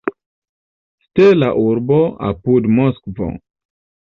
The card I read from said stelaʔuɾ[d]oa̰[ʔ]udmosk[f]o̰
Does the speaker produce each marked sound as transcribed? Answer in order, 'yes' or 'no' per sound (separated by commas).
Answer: no, no, no